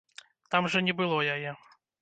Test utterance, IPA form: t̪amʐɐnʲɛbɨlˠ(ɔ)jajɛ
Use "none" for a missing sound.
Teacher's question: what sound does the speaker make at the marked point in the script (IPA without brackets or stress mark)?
ɔ